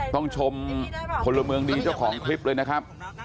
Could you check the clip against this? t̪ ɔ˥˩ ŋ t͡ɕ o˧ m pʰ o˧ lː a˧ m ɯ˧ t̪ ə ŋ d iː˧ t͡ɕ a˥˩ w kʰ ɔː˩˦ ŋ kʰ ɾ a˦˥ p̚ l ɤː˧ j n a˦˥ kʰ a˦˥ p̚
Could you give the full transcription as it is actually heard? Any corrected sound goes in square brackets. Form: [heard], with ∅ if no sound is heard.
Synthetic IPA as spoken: t̪ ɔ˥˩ ŋ [t͡ɕʰ] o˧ m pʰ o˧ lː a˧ m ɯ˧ [∅] ə ŋ d iː˧ t͡ɕ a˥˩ w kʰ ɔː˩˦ ŋ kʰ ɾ [i˦˥] p̚ l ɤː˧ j n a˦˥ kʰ a˦˥ p̚